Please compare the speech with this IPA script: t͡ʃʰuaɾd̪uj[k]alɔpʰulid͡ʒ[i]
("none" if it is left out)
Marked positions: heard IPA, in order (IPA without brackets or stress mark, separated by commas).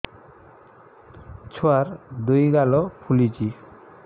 ɡ, i